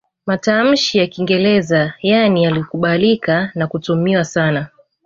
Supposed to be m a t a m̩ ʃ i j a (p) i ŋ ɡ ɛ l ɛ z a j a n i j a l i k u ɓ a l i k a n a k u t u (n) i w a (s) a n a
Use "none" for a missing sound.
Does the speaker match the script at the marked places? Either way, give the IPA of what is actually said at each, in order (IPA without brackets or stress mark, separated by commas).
k, m, s